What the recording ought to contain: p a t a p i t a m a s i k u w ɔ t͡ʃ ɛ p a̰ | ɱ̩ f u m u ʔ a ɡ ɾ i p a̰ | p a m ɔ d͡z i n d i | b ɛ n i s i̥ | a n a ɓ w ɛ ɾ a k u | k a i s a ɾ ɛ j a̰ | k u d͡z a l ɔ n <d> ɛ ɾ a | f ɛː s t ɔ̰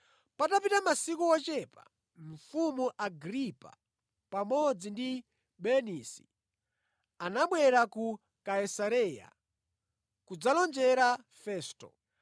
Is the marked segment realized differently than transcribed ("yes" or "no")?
yes